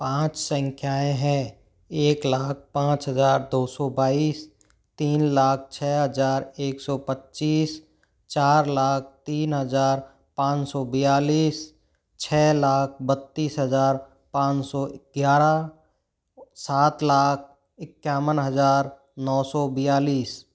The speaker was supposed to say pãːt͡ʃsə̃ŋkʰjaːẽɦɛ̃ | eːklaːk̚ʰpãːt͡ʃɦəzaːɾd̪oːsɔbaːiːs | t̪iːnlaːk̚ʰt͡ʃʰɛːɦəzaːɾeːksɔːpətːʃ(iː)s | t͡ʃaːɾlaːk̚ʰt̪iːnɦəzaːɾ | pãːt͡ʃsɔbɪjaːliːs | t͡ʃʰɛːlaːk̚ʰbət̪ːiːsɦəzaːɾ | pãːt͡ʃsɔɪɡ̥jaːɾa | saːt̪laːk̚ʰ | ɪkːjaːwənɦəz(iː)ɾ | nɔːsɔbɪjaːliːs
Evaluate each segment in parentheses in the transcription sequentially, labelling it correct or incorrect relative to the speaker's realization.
correct, incorrect: aː

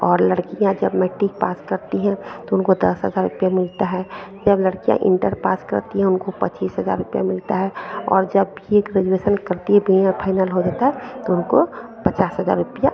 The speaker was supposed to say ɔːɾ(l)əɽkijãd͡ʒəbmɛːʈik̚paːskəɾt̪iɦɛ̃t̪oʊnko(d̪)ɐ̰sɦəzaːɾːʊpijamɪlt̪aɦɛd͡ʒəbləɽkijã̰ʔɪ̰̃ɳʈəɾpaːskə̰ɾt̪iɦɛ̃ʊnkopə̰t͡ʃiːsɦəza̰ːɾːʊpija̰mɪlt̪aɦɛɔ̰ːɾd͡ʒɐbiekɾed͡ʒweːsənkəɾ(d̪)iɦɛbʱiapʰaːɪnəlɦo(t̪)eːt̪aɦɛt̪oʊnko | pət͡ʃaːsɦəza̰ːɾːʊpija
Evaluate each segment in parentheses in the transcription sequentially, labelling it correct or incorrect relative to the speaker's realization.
correct, correct, incorrect: t̪, incorrect: d̪

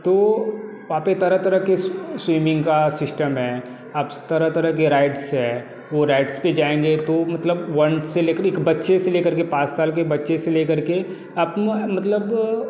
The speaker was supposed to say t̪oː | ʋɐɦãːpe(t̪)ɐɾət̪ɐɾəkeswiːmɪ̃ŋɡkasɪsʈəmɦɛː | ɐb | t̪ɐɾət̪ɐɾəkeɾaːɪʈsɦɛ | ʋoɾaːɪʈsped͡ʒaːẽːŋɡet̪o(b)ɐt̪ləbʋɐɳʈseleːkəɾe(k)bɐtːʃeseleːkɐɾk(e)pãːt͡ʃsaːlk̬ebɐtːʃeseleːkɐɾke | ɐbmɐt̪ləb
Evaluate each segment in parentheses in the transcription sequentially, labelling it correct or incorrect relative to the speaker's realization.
correct, incorrect: m, correct, correct

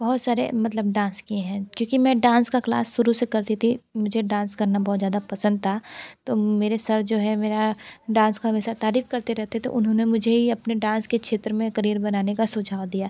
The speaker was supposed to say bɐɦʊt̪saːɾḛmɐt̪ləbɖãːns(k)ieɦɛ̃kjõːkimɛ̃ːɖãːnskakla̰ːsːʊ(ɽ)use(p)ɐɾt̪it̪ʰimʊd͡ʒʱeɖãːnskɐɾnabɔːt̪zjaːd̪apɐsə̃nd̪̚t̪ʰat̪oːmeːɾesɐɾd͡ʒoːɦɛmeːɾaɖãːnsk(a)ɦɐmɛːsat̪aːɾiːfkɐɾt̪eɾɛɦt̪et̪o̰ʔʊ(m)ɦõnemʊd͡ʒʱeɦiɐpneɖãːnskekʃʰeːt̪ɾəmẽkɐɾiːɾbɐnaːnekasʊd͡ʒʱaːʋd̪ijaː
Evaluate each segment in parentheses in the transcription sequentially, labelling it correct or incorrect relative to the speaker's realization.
correct, incorrect: ɾ, incorrect: k, correct, incorrect: n

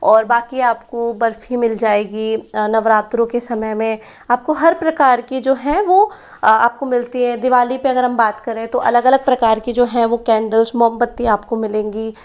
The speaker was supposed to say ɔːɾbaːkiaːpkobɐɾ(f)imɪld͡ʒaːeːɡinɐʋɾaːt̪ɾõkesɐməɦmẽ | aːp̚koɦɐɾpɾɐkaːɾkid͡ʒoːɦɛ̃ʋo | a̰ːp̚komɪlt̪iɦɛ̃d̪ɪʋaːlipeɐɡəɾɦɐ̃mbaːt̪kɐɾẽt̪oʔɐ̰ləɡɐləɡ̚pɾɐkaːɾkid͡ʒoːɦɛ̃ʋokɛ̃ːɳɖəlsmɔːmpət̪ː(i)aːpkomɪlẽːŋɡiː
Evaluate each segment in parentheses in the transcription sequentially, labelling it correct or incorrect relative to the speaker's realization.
correct, correct

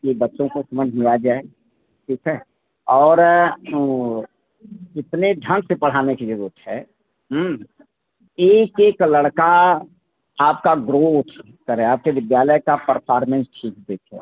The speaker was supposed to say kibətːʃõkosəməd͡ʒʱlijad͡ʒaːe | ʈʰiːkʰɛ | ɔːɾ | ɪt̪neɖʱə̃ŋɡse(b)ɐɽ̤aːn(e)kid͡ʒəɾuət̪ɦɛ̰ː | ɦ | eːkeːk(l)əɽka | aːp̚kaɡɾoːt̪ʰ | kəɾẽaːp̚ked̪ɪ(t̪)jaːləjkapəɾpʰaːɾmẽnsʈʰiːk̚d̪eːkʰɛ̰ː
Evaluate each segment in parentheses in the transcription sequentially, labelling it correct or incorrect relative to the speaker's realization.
incorrect: p, correct, correct, incorrect: d̪

